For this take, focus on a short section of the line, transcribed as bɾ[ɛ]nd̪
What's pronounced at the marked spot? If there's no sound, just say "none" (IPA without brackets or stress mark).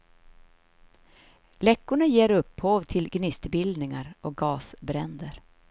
ɛ